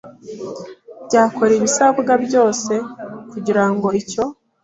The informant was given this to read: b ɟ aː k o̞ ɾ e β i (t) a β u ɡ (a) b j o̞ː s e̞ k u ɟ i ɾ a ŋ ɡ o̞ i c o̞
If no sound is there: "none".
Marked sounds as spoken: s, a

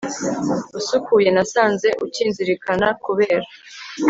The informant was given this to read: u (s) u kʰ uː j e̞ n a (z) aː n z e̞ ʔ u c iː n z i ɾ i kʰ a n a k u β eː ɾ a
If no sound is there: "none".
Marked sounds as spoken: s, s

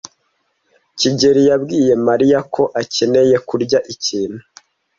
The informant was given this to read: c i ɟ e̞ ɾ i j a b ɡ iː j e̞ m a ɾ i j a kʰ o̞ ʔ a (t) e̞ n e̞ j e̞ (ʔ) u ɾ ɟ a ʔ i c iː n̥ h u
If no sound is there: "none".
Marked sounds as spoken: c, k

